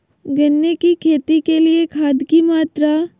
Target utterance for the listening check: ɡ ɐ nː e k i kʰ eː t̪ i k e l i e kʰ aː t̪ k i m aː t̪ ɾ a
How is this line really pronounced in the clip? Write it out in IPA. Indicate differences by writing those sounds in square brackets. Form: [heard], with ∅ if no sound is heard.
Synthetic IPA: ɡ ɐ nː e k i kʰ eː t̪ i k e l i e kʰ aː [d̪] k i m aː t̪ ɾ a